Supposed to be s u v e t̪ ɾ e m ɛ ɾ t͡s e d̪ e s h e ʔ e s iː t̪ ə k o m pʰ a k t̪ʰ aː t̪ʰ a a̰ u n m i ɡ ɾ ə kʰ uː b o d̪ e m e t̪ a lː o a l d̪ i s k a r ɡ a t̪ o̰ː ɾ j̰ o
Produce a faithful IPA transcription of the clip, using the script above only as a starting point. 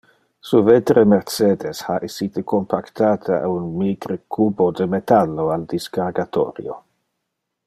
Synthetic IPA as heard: s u v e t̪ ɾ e m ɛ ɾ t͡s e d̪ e s h a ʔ e s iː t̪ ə k o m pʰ a k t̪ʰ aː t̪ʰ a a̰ u n m i ɡ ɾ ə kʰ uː b o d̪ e m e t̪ a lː o a l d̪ i s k a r ɡ a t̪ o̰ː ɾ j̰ o